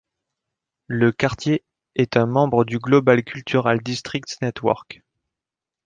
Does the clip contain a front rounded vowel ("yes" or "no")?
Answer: yes